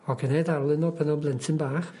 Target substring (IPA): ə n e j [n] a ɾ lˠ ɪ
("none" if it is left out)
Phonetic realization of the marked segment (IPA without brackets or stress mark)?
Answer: d